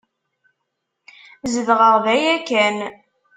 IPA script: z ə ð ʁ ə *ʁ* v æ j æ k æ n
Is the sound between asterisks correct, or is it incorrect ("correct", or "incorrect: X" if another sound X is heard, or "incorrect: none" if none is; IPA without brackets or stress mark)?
correct